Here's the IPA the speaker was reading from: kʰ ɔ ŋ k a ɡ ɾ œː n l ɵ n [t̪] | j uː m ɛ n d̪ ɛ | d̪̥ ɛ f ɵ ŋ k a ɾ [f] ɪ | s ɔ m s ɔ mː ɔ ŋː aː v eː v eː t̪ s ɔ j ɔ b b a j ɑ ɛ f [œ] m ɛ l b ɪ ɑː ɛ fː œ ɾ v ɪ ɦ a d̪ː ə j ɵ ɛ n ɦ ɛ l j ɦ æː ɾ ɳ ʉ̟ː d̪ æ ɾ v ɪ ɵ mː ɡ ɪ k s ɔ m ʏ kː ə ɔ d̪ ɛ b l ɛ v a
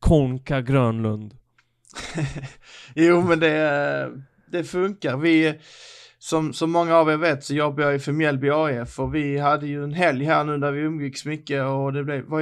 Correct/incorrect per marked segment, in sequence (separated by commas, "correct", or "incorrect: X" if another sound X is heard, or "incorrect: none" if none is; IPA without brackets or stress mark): incorrect: d̪, incorrect: v, incorrect: ɛ